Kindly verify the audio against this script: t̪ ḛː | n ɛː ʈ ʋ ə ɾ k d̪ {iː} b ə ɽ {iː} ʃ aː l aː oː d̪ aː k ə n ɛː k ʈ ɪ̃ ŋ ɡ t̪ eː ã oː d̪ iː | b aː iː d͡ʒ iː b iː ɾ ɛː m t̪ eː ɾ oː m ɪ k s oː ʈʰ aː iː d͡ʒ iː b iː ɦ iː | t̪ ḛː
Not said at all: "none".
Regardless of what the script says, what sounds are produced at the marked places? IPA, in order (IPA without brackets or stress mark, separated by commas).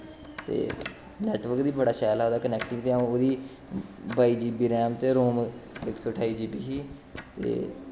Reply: iː, aː